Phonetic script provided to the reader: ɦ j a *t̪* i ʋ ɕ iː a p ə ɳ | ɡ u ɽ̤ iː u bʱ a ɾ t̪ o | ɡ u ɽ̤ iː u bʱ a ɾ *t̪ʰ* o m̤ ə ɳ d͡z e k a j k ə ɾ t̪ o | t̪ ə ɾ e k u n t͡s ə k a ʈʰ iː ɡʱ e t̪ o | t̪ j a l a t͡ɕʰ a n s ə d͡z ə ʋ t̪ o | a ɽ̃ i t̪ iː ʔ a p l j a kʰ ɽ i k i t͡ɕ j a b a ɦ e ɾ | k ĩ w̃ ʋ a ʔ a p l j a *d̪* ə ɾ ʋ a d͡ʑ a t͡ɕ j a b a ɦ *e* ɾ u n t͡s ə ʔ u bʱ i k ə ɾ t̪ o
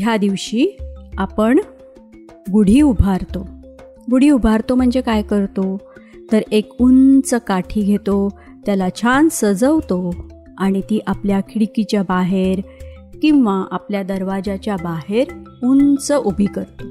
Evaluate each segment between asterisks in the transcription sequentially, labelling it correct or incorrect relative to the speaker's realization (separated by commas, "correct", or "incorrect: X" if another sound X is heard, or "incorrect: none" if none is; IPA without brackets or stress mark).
incorrect: d̪, incorrect: t̪, correct, correct